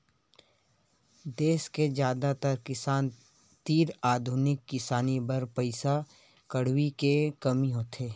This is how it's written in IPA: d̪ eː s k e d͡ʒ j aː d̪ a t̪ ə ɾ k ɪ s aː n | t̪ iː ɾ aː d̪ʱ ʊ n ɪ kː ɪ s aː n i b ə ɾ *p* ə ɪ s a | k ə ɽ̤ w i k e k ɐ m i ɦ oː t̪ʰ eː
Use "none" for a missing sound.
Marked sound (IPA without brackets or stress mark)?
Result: p